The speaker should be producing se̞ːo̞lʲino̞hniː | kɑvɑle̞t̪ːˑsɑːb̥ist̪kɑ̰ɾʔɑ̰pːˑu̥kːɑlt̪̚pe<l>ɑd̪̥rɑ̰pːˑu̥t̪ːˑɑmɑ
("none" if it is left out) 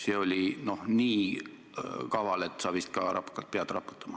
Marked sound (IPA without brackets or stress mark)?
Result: none